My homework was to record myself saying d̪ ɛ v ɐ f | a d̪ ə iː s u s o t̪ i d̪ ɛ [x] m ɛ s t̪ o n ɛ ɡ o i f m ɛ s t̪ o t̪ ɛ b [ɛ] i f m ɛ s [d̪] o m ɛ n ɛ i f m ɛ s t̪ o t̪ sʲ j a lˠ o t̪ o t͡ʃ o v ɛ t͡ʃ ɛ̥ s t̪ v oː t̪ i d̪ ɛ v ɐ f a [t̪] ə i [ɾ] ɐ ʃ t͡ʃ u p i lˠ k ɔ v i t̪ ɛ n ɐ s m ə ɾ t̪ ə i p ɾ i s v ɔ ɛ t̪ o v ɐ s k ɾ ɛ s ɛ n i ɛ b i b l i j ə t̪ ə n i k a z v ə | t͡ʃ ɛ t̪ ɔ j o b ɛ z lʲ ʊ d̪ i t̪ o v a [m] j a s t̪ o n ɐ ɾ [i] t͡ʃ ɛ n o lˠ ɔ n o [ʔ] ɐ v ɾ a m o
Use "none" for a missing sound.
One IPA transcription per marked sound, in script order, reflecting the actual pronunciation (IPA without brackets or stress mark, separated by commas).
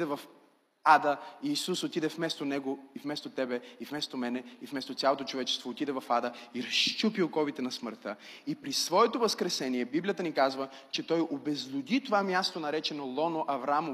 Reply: f, ɛ, t̪, d̪, ɾ, m, ɛ, ʔ